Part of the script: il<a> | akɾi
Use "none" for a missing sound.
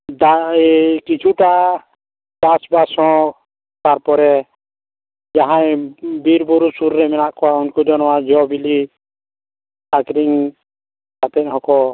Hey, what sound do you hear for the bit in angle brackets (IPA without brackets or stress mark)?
i